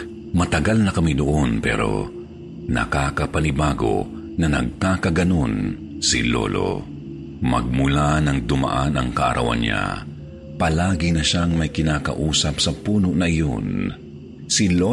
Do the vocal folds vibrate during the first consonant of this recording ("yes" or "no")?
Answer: yes